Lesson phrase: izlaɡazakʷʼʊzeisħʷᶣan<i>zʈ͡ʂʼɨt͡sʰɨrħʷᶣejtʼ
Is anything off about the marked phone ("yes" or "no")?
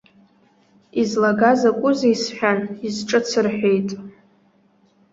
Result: no